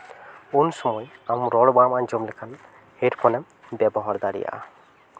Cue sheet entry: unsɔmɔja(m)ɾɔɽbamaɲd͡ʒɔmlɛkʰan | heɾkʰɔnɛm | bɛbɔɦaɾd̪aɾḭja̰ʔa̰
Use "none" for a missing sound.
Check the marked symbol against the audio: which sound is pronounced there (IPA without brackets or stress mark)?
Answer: m